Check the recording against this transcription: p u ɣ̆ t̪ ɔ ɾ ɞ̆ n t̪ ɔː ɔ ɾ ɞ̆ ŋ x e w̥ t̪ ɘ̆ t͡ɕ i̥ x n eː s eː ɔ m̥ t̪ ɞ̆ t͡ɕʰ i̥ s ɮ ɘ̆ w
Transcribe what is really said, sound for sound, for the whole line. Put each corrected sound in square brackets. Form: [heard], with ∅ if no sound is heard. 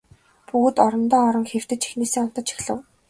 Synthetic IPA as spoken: p u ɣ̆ t̪ ɔ ɾ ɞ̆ n t̪ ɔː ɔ ɾ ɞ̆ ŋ x e w̥ t̪ ɘ̆ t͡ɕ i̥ x n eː s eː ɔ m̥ t̪ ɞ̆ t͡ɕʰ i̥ [x] ɮ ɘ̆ w